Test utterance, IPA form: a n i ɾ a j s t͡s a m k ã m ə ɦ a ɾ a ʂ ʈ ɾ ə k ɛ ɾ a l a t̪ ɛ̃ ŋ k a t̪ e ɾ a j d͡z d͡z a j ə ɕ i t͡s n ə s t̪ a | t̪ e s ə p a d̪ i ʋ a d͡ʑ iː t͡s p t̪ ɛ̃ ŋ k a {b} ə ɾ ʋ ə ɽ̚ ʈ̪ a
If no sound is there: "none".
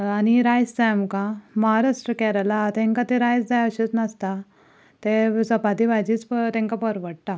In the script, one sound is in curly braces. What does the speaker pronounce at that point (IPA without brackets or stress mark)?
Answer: p